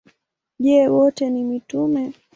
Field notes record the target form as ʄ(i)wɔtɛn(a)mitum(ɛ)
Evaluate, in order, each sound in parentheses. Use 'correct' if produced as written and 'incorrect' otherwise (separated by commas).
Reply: incorrect, incorrect, correct